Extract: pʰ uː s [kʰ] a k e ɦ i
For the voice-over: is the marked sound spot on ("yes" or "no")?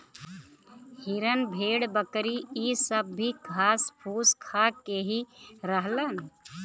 yes